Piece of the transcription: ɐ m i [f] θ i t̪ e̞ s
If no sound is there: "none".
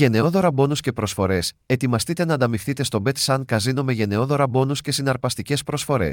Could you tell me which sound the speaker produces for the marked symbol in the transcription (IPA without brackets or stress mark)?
f